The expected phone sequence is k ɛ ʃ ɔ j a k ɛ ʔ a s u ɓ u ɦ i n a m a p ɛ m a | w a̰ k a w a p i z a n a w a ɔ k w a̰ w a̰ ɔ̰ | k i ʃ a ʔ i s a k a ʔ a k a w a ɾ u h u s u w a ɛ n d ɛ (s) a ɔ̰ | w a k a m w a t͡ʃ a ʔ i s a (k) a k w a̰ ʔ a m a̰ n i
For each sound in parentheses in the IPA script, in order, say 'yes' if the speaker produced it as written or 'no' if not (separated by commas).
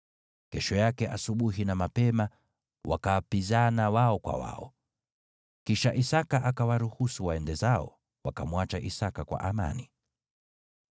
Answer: no, yes